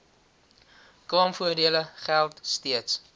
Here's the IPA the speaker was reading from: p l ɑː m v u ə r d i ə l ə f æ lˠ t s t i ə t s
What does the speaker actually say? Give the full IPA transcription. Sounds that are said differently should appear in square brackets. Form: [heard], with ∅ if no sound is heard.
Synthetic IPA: [k] l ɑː m [f] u ə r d i ə l ə [χ] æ lˠ t s t i ə t s